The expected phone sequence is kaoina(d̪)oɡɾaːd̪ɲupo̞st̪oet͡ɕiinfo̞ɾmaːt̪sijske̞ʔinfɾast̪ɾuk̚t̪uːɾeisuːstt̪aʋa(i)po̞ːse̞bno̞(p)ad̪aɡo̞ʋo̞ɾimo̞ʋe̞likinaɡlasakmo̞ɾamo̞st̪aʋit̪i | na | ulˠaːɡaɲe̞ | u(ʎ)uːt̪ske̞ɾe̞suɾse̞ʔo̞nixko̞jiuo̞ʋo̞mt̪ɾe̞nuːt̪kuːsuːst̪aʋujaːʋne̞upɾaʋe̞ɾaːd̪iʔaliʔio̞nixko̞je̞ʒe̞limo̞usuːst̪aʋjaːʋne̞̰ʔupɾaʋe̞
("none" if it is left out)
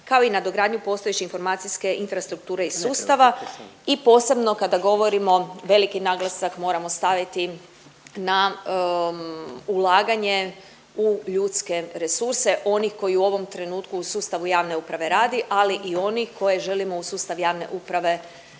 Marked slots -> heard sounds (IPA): d̪, i, k, ʎ

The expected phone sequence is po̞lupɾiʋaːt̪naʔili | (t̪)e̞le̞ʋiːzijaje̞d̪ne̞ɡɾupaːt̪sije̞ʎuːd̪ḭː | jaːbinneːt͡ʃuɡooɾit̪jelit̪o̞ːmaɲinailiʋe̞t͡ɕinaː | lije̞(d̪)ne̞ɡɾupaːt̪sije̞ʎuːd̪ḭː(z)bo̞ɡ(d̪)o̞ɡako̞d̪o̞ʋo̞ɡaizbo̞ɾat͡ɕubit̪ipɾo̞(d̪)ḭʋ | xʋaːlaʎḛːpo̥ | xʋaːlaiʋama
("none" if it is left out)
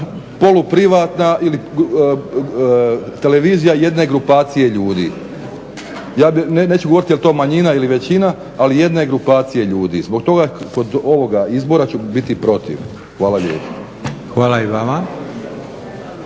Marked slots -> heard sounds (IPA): t̪, d̪, z, t̪, t̪

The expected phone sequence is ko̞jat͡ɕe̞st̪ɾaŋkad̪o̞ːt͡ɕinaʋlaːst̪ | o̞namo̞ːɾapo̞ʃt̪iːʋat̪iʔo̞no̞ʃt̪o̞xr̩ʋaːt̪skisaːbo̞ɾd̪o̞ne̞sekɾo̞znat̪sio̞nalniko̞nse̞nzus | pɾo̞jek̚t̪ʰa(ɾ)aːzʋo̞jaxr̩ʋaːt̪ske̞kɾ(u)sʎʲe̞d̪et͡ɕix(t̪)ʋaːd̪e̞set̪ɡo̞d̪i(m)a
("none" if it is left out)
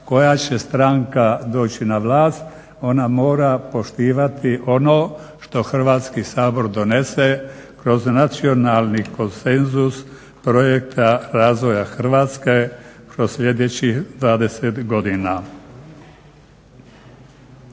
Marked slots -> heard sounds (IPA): ɾ, o, d̪, n

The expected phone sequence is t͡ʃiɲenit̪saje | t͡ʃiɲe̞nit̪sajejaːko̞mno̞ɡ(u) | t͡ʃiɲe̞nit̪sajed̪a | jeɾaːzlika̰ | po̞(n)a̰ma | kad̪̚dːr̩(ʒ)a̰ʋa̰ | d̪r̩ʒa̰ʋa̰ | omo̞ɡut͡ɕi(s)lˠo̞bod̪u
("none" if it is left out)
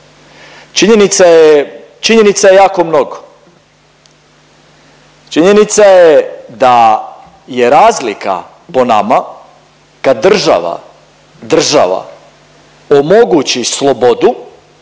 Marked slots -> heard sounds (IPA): o, n, ʒ, s

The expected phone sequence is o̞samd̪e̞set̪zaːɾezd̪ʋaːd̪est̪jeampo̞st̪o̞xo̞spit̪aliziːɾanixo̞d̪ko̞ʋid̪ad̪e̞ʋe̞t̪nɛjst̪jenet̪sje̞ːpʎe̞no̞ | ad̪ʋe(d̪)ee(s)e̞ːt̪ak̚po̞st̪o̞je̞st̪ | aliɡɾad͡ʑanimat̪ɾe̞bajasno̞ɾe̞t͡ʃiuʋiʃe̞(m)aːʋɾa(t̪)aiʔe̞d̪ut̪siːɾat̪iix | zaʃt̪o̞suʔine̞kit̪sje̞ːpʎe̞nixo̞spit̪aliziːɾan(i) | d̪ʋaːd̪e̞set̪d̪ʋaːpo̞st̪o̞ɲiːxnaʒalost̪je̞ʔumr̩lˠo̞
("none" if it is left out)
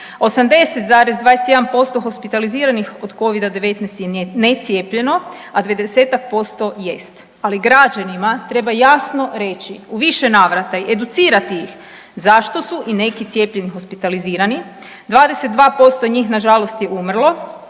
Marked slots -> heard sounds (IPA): d̪, s, n, t̪, i

